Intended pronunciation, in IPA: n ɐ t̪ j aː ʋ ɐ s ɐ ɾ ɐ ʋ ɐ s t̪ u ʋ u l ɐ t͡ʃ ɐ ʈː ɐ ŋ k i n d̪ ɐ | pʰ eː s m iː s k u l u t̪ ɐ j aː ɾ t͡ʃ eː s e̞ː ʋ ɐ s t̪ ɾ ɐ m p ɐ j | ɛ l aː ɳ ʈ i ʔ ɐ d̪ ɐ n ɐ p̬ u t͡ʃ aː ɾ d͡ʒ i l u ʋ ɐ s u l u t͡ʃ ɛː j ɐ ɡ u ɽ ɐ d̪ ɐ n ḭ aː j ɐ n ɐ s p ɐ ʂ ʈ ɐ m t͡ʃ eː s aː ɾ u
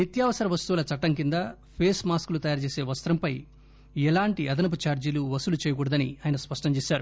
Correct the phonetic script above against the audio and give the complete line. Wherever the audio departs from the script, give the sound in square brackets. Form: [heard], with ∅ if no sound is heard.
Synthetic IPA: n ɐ t̪ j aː ʋ ɐ s ɐ ɾ ɐ ʋ ɐ s t̪ u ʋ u l ɐ t͡ʃ ɐ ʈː ɐ ŋ k i n d̪ ɐ | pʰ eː s m [aː] s k u l u t̪ ɐ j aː ɾ t͡ʃ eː s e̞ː ʋ ɐ s t̪ ɾ ɐ m p ɐ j | ɛ l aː ɳ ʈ i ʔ ɐ d̪ ɐ n ɐ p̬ u t͡ʃ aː ɾ d͡ʒ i l u ʋ ɐ s u l u t͡ʃ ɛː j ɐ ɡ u ɽ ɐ d̪ ɐ n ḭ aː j ɐ n ɐ s p ɐ ʂ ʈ ɐ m t͡ʃ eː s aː ɾ u